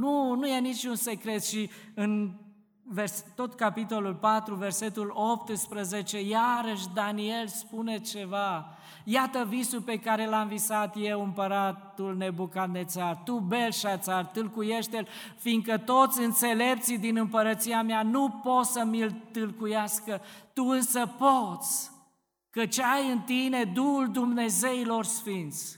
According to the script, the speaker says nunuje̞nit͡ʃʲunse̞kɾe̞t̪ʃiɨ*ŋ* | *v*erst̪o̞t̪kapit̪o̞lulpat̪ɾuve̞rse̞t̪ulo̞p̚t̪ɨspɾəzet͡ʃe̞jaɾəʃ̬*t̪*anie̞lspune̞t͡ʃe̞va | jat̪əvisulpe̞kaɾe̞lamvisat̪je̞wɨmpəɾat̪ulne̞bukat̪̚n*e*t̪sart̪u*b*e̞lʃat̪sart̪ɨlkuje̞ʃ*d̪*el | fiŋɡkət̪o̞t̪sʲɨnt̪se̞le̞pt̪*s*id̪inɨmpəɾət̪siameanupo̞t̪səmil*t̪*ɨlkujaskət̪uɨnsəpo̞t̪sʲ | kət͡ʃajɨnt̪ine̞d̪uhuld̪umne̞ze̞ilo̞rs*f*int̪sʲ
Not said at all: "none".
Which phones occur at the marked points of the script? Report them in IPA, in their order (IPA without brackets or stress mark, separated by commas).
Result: n, v, d̪, e, b, t̪, s, t̪, f